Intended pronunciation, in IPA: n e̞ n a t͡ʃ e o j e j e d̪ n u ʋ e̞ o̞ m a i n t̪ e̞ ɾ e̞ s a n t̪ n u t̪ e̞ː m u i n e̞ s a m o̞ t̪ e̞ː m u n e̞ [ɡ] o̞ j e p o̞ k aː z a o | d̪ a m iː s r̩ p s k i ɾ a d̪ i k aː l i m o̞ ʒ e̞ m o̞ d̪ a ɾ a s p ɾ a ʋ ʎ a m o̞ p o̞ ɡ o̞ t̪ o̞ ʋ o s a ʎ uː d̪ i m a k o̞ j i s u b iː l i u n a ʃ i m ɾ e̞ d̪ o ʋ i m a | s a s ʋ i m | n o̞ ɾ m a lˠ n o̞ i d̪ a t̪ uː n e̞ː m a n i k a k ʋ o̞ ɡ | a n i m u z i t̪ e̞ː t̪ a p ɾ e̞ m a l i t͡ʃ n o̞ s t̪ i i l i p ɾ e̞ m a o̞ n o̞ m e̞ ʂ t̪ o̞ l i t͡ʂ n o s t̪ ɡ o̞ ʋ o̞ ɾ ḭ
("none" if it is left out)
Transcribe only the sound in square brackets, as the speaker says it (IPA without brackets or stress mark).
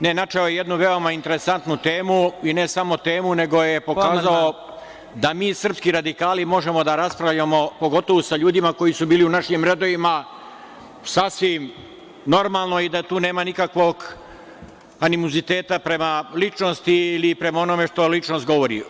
ɡ